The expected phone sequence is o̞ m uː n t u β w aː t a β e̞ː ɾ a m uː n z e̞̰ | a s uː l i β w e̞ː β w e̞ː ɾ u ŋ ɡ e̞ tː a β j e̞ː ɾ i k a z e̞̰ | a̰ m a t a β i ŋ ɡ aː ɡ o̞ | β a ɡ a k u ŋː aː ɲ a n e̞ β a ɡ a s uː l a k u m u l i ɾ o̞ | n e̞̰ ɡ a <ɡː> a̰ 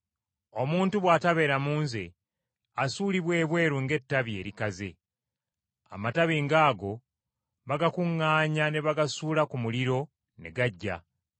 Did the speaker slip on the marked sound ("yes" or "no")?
yes